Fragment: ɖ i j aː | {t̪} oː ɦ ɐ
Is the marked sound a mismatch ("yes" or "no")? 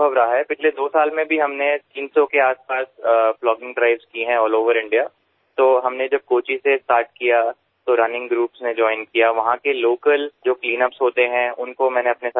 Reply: no